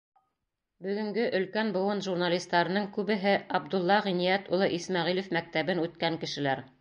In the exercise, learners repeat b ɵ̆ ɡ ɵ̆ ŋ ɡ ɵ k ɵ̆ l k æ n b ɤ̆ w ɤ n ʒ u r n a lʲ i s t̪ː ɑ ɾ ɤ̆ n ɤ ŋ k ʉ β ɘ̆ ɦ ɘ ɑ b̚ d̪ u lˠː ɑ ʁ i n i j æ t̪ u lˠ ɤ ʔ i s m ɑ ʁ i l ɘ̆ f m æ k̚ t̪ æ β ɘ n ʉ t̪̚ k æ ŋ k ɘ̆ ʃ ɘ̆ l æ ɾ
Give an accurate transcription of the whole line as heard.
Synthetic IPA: b ɵ̆ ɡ ɵ̆ ŋ ɡ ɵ ʔ ɵ̆ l k æ n b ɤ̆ w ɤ n ʒ u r n a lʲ i s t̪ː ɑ ɾ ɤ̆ n ɤ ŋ k ʉ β ɘ̆ ɦ ɘ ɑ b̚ d̪ u lˠː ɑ ʁ i n i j æ t̪ u lˠ ɤ ʔ i s m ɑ ʁ i l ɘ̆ f m æ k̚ t̪ æ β ɘ n ʉ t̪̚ k æ ŋ k ɘ̆ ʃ ɘ̆ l æ ɾ